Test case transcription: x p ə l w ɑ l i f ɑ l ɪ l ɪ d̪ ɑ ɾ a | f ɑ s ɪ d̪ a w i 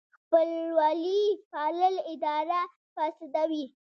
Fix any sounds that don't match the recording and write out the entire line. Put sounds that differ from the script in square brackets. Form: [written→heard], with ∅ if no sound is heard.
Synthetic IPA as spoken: x p ə l w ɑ l i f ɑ l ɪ l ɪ d̪ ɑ ɾ a | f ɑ s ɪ d̪ a w i